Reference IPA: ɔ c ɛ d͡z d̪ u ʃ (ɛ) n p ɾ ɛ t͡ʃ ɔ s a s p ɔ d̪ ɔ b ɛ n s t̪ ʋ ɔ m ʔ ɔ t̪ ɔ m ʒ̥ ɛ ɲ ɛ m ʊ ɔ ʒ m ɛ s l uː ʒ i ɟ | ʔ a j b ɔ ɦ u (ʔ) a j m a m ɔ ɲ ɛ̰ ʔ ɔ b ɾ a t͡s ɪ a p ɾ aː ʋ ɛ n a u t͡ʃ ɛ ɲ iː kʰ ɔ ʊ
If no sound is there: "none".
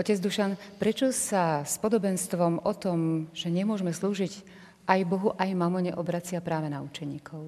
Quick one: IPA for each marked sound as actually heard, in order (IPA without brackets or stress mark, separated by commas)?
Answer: a, ʔ